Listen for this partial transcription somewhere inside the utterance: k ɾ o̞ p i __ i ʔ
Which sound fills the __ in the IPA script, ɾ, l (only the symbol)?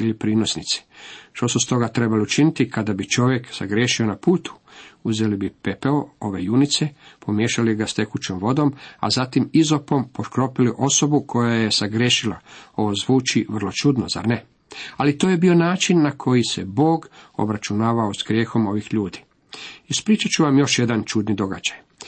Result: l